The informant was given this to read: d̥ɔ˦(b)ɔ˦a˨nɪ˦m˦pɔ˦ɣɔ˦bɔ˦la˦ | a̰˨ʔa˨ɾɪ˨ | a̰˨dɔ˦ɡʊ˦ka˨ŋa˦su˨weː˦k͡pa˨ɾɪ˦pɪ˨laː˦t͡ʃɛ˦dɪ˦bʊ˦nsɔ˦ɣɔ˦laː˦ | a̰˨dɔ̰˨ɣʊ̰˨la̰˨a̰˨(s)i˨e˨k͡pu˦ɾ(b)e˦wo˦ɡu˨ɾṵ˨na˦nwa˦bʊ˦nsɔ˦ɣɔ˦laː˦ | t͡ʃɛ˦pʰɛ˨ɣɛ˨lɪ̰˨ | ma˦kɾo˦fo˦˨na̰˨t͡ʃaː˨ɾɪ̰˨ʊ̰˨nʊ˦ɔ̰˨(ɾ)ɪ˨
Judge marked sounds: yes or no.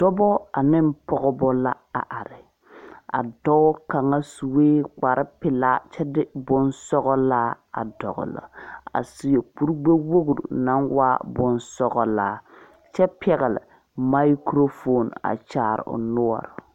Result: yes, yes, no, yes

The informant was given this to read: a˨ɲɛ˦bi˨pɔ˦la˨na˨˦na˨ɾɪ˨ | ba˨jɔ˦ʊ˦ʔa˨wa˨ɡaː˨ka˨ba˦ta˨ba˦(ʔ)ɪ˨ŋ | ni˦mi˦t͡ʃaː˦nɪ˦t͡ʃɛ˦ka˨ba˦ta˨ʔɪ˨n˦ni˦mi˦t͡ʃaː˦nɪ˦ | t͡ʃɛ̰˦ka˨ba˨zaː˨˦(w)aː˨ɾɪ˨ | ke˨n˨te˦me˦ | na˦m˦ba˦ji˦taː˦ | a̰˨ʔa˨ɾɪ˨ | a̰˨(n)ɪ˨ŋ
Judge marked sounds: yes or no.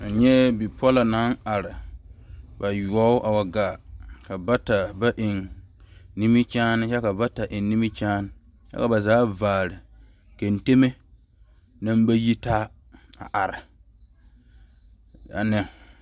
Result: yes, no, yes

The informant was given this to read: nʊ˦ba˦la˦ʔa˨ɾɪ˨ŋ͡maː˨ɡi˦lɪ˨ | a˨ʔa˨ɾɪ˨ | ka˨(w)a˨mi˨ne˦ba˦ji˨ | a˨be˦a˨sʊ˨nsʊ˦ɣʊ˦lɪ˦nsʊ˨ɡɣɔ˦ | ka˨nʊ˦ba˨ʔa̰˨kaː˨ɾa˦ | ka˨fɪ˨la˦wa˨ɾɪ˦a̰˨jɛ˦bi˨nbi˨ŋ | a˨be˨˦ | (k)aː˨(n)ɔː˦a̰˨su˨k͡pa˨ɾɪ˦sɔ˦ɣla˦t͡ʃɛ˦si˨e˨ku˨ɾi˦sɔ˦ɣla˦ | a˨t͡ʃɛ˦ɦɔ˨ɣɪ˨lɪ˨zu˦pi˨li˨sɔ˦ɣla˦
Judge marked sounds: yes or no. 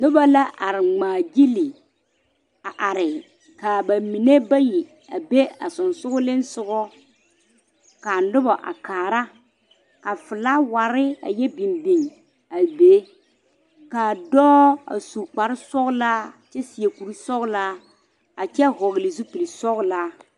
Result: no, yes, no

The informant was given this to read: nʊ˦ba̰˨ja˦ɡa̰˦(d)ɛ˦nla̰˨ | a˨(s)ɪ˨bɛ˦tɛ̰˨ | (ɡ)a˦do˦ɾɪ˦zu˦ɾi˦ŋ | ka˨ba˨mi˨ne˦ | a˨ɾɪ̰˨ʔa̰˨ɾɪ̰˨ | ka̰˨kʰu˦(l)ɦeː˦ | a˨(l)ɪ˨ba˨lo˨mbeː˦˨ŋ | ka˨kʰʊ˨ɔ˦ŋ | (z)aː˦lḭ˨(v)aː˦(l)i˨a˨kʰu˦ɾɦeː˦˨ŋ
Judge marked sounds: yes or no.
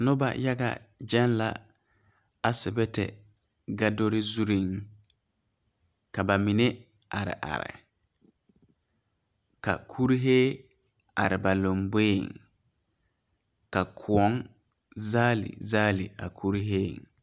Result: no, yes, yes, no, no, yes, no, yes

